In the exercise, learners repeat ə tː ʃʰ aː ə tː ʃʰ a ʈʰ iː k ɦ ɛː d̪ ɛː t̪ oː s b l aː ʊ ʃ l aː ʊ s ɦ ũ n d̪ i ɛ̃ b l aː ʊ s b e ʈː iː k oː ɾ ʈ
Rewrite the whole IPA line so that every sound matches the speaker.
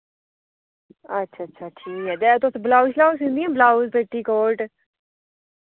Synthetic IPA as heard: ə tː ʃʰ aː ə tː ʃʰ a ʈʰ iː k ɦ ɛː d̪ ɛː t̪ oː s b l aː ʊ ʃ l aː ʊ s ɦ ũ n d̪ i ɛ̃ b l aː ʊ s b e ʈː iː k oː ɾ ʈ